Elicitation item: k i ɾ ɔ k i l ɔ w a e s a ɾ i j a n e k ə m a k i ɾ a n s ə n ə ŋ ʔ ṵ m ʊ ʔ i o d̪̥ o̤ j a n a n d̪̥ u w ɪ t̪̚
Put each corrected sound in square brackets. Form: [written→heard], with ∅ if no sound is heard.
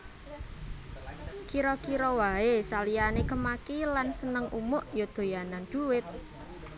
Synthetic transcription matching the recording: k i ɾ ɔ k i [l→ɾ] ɔ w a e s a [ɾ→l] i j a n e k ə m a k i [ɾ→l] a n s ə n ə ŋ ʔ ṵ m ʊ ʔ [i→j] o d̪̥ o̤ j a n a n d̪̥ u w ɪ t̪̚